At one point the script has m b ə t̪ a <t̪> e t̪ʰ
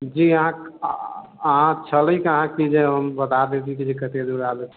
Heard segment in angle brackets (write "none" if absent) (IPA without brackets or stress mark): d̪